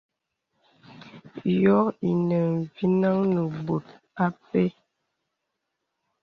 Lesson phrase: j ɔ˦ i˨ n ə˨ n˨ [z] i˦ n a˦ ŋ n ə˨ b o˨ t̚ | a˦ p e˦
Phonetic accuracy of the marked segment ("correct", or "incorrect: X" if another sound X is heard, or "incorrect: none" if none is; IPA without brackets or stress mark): incorrect: v